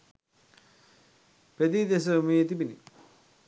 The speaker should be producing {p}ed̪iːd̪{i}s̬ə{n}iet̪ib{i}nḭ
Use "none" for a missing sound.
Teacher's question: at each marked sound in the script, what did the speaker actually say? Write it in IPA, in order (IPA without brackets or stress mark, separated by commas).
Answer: p, e, m, i